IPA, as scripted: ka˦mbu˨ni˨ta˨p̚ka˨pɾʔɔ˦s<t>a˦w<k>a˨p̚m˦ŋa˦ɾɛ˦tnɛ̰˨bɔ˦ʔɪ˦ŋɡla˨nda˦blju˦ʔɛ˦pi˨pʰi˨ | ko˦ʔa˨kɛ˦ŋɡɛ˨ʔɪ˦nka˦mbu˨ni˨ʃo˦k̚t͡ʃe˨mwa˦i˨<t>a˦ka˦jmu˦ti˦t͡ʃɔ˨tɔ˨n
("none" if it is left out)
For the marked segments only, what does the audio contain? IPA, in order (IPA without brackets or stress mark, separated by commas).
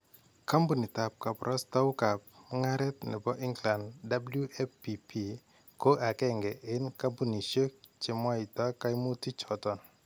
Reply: t, k, t